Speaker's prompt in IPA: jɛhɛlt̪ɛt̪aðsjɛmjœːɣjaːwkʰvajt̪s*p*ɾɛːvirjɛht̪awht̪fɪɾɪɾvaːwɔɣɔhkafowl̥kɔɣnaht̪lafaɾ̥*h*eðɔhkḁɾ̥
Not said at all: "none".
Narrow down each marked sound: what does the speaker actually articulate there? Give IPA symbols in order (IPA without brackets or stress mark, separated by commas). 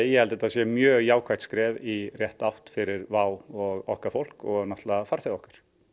k, θ